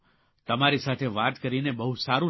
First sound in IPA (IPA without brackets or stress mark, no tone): t̪